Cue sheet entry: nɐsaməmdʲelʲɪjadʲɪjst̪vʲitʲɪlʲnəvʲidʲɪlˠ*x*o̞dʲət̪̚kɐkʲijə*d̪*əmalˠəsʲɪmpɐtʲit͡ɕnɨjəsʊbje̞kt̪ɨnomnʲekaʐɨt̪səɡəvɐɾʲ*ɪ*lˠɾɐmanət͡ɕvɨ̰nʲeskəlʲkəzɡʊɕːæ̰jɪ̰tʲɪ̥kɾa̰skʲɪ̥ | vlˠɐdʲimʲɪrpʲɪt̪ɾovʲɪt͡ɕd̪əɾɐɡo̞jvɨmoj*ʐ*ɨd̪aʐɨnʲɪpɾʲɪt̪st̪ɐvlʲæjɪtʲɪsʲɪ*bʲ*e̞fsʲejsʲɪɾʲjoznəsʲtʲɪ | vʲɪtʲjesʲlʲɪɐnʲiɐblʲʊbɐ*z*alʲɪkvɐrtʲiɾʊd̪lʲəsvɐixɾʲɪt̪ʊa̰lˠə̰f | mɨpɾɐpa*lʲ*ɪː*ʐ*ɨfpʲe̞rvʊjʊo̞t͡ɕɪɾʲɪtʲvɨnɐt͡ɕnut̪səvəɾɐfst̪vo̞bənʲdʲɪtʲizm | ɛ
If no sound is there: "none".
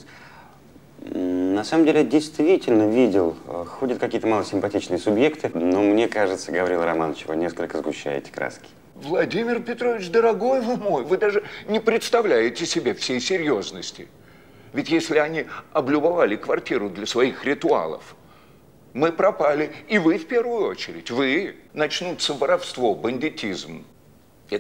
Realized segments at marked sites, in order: x, t̪, i, v, bʲ, v, lʲ, v

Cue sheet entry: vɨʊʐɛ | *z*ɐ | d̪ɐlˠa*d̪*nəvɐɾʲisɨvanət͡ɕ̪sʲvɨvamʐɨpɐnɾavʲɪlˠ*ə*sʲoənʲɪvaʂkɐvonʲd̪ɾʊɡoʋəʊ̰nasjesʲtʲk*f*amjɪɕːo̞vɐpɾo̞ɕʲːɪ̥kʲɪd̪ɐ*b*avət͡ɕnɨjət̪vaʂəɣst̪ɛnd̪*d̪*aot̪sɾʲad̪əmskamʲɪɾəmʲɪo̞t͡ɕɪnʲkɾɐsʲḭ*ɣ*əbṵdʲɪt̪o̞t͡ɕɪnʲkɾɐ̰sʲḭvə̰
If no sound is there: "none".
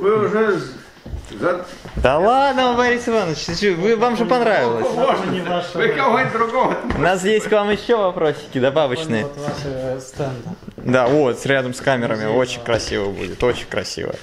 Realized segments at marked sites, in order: z, d̪, ə, v, b, d̪, v

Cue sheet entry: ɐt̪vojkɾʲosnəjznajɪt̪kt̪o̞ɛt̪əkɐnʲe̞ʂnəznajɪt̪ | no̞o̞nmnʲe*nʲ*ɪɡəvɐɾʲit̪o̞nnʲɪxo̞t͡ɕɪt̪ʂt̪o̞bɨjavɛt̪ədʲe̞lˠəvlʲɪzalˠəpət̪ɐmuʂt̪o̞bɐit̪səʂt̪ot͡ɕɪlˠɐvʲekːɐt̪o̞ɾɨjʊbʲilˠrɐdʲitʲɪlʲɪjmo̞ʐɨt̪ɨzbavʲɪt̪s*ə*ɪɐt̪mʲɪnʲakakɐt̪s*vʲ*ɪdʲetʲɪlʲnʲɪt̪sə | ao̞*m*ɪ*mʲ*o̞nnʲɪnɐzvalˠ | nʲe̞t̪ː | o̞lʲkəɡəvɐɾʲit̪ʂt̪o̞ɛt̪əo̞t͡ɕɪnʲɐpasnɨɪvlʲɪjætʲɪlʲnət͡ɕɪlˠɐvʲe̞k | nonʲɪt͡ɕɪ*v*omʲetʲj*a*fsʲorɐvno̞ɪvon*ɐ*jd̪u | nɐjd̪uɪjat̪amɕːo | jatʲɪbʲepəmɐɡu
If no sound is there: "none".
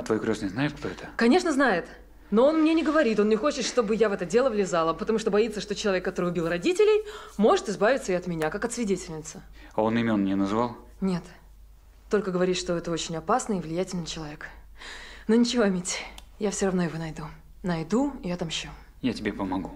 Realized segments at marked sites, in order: nʲ, ə, vʲ, n, mʲ, v, a, ɐ

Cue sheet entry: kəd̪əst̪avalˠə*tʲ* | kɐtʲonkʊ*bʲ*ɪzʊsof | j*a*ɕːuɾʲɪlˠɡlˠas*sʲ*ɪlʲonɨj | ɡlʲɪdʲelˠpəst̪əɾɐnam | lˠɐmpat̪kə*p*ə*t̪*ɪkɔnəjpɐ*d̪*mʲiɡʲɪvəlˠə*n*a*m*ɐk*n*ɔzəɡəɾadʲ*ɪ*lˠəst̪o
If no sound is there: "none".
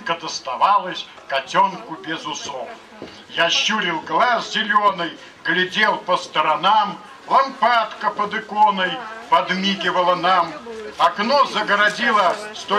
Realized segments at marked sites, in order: sʲ, bʲ, a, zʲ, p, d̪, d̪, n, m, n, i

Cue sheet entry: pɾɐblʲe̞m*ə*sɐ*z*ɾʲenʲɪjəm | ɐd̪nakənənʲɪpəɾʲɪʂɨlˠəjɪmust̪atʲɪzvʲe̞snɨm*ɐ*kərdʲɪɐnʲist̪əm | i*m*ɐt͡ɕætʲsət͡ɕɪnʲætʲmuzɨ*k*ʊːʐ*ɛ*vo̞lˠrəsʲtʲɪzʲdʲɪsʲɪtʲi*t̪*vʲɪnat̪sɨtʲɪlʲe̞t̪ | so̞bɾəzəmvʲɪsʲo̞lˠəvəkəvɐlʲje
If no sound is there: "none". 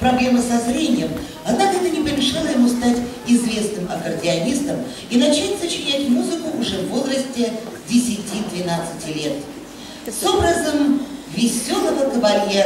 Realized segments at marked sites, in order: ə, z, ɐ, n, k, ɛ, d̪

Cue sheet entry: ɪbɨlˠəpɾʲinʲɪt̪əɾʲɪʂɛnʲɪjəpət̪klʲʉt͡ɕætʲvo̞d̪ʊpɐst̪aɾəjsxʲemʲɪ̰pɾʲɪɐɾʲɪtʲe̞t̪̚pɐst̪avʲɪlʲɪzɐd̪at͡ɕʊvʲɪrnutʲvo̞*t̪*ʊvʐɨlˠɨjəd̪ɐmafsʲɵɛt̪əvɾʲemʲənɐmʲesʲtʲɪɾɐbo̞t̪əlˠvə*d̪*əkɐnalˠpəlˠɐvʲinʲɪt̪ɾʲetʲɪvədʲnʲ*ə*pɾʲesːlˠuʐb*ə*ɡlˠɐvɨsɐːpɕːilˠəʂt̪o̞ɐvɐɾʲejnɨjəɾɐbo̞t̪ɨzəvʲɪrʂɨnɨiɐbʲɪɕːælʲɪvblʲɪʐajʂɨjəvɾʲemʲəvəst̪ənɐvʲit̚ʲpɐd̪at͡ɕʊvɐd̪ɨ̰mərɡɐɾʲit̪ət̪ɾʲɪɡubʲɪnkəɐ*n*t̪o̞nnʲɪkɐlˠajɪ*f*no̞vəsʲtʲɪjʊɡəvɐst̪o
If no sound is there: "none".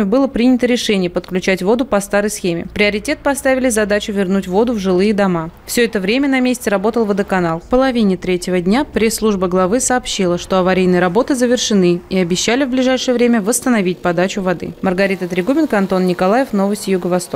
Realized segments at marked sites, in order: d̪, d̪, a, ə, n, f

